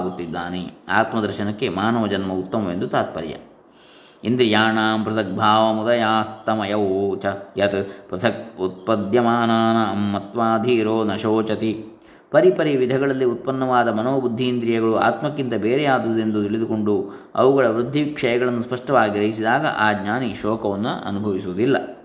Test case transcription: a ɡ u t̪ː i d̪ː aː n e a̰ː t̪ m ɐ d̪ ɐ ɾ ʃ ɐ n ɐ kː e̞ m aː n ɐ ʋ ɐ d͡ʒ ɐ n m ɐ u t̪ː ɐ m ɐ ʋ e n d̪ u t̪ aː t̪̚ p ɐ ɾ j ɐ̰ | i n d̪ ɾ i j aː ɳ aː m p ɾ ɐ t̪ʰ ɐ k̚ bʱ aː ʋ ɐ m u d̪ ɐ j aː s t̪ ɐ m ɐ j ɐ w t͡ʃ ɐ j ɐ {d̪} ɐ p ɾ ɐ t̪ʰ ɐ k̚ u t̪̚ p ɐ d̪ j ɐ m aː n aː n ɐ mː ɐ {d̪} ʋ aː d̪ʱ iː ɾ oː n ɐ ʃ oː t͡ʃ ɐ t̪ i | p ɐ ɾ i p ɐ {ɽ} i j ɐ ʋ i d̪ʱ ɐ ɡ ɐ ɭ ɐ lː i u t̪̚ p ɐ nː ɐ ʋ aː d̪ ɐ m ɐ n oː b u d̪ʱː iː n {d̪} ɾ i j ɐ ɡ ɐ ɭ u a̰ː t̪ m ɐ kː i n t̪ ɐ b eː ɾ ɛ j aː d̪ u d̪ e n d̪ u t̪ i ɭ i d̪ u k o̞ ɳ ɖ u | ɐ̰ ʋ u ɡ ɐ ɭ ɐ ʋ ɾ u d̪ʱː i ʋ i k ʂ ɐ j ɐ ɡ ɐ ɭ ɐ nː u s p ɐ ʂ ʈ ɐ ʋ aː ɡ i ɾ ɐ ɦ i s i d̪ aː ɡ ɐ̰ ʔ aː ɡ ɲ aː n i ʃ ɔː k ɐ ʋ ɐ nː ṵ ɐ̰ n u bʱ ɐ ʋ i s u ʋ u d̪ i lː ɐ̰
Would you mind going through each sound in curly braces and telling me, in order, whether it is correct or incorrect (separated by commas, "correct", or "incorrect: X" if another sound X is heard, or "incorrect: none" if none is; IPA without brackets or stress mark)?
incorrect: t̪, incorrect: t̪, incorrect: ɾ, correct